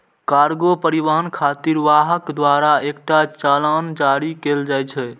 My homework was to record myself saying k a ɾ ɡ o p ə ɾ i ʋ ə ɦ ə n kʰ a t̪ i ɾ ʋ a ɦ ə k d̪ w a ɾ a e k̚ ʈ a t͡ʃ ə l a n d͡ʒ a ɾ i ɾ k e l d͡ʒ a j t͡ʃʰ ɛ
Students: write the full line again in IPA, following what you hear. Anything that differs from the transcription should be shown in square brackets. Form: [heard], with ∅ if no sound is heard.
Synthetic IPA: k a ɾ ɡ o p ə ɾ i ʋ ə ɦ ə n kʰ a t̪ i ɾ ʋ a ɦ ə k d̪ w a ɾ a e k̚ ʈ a t͡ʃ [a] l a n d͡ʒ a ɾ i [∅] k e l d͡ʒ a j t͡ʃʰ ɛ